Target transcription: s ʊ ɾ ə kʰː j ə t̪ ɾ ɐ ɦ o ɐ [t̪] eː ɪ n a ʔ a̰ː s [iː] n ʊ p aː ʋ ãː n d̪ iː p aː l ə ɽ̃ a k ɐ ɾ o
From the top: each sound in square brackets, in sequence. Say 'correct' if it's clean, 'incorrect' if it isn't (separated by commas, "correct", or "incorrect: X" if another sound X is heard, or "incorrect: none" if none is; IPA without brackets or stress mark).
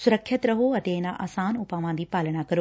correct, incorrect: aː